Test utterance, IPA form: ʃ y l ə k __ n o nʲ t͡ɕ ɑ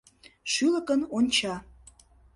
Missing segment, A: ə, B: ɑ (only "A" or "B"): A